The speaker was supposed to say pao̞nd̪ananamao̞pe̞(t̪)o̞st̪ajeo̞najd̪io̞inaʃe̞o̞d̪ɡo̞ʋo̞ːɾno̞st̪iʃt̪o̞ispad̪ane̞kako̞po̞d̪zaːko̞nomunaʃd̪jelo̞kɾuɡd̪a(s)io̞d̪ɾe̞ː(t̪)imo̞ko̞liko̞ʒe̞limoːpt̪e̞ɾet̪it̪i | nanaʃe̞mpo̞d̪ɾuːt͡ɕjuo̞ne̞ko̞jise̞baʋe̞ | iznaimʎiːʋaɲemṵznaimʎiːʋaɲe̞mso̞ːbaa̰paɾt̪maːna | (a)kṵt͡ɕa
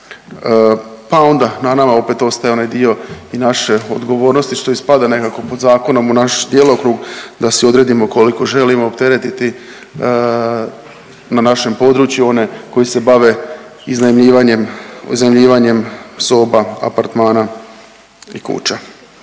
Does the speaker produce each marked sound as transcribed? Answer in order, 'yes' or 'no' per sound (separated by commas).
yes, yes, no, no